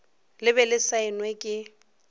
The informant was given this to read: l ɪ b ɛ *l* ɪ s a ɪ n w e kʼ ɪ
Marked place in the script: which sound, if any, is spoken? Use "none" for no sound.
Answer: l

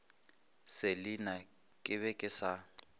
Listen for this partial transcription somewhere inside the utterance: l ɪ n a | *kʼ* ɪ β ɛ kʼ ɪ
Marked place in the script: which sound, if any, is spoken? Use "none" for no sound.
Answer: kʼ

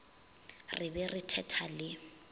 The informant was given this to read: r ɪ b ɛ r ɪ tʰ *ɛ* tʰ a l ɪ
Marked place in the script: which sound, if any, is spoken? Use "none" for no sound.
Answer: ɛ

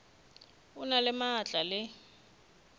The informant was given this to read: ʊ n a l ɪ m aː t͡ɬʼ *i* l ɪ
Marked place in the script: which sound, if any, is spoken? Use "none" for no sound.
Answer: a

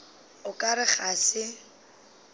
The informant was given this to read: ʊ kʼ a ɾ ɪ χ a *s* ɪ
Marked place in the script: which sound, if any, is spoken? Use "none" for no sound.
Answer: s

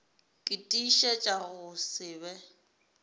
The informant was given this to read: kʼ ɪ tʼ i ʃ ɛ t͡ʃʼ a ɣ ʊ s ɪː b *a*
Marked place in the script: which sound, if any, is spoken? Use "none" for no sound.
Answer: ɛ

